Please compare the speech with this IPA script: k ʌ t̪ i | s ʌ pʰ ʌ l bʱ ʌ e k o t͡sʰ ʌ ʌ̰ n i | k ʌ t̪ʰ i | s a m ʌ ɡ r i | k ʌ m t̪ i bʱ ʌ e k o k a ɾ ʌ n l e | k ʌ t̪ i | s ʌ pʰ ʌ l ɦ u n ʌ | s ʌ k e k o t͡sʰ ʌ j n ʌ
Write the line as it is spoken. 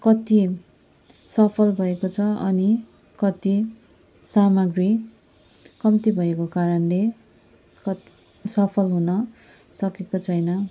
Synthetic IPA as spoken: k ʌ t̪ i | s ʌ pʰ ʌ l bʱ ʌ e k o t͡sʰ ʌ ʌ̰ n i | k ʌ t̪ i | s a m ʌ ɡ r i | k ʌ m t̪ i bʱ ʌ e k o k a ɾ ʌ n l e | k ʌ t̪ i | s ʌ pʰ ʌ l ɦ u n ʌ | s ʌ k e k o t͡sʰ ʌ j n ʌ